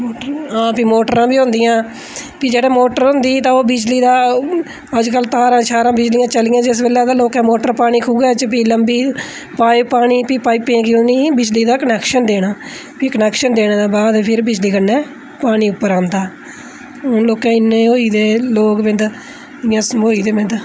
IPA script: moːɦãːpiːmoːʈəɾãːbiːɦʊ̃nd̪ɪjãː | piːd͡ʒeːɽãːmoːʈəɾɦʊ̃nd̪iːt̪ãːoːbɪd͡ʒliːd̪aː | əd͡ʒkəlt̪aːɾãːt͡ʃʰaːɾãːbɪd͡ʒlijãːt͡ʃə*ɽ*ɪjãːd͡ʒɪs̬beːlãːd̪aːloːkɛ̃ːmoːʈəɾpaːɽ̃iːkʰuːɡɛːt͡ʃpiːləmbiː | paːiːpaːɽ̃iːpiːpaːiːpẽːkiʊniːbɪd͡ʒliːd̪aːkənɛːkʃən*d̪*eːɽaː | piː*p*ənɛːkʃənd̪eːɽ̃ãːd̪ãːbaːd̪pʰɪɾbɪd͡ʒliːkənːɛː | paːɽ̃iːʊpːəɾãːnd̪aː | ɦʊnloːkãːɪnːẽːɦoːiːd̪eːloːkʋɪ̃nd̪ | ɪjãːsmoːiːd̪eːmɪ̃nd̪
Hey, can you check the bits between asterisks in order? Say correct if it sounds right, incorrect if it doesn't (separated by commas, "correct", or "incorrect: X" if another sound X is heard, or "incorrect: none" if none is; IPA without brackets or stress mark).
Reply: incorrect: l, correct, incorrect: k